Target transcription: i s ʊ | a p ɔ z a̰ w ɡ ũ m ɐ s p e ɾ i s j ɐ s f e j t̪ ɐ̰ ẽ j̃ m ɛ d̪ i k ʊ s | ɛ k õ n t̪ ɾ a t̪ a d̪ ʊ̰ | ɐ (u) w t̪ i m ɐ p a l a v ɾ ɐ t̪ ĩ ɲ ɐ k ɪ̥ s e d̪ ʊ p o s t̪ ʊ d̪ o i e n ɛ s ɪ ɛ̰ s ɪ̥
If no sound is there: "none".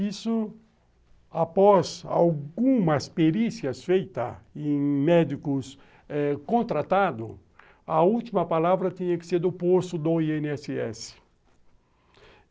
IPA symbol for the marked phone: u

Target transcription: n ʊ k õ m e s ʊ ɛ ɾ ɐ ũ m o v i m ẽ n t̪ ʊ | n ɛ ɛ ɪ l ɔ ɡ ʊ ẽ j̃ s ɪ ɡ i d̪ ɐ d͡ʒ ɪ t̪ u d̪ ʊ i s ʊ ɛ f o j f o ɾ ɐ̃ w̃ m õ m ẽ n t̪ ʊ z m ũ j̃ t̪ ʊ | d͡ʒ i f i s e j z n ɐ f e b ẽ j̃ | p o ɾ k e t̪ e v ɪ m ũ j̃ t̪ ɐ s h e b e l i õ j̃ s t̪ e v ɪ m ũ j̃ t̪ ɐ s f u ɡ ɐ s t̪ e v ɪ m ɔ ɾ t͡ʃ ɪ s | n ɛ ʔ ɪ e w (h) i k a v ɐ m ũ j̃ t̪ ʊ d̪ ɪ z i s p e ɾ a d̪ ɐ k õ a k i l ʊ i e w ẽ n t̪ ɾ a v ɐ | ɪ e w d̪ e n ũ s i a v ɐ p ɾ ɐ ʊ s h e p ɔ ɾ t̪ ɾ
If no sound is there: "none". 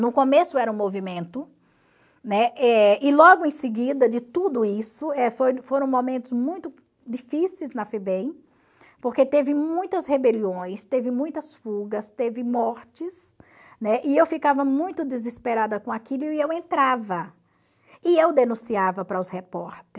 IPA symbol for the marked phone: f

